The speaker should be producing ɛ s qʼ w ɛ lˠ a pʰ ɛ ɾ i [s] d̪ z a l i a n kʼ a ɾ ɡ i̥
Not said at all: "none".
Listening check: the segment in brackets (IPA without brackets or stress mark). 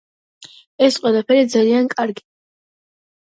none